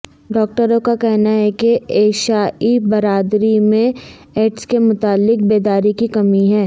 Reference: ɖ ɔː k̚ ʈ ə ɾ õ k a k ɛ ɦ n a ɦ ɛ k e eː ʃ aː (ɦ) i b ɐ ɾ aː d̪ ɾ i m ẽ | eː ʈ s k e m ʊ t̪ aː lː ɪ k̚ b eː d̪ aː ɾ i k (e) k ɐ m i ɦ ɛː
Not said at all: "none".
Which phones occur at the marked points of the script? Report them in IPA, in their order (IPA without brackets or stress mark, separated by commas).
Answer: none, i